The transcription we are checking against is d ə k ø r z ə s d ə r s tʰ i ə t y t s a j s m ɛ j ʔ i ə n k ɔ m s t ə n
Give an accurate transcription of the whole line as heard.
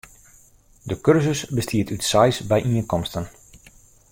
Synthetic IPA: d ə k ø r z ə s b ə s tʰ i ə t y t s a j s b ɛ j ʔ i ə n k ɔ m s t ə n